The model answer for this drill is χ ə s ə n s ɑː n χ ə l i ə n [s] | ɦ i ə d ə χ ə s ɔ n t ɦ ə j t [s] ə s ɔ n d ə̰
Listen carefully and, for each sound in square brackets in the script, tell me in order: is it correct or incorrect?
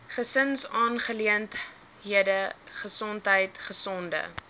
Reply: incorrect: t, incorrect: χ

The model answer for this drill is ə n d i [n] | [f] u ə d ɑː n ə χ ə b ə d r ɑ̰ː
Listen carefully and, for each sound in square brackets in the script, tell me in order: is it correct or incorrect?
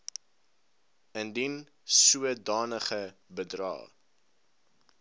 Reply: correct, incorrect: s

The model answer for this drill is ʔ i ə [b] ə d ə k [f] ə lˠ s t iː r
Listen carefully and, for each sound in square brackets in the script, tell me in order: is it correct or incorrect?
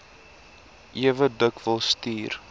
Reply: incorrect: v, incorrect: v

